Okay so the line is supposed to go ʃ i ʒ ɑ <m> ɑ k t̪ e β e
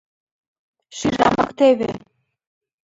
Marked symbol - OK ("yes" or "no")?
yes